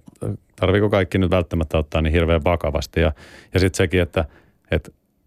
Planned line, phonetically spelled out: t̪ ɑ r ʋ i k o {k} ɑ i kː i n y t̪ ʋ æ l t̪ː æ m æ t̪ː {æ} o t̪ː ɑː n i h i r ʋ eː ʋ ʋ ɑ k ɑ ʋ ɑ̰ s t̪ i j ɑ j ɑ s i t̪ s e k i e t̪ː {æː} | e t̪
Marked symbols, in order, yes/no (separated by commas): yes, yes, no